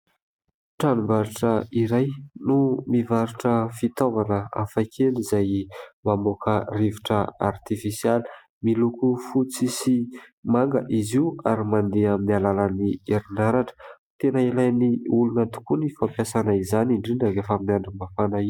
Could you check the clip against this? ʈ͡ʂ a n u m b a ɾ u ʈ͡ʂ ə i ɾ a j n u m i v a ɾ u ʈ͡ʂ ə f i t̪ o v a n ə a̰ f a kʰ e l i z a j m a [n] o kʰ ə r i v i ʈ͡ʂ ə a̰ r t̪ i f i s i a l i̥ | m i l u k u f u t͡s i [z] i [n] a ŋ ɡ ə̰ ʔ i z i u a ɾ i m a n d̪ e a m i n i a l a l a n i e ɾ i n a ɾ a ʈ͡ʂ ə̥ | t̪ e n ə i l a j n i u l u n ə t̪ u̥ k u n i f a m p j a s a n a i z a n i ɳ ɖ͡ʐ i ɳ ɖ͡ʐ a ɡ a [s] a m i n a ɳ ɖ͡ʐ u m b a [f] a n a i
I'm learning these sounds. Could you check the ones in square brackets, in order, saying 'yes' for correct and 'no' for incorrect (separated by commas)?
no, no, no, no, yes